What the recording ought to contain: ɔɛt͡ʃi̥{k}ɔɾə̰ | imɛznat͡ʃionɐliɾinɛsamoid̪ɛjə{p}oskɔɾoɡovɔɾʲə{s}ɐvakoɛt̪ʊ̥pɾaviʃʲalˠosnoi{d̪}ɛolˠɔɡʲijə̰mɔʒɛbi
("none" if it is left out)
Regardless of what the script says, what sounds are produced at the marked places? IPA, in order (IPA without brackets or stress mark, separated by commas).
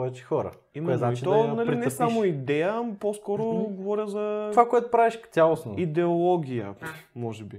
x, p, z, d̪